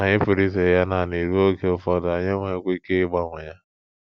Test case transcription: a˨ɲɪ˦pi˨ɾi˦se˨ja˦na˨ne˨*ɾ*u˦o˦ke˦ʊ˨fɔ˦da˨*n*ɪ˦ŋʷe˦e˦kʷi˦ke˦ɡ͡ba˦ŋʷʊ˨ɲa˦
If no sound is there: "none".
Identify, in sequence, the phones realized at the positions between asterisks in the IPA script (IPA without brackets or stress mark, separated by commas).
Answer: ɾ, ɲ